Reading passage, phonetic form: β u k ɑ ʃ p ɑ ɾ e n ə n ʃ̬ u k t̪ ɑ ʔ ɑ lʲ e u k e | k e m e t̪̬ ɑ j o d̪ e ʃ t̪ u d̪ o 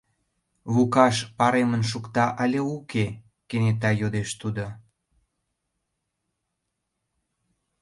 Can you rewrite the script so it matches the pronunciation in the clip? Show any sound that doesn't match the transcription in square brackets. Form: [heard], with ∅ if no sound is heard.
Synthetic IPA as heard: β u k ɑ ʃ p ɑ ɾ e [m] ə n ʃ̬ u k t̪ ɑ ʔ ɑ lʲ e u k e | k e [n] e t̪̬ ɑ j o d̪ e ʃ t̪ u d̪ o